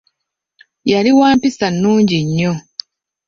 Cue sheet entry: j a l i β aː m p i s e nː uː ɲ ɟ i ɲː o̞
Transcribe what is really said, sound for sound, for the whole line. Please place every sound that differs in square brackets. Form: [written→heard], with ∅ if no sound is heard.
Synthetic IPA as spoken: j a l i [β→w] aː m p i s [e→a] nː uː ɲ ɟ i ɲː o̞